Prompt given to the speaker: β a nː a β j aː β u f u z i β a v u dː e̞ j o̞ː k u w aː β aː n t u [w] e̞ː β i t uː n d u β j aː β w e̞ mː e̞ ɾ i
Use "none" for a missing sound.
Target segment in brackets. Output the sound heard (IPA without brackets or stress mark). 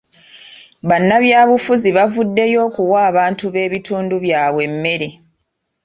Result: β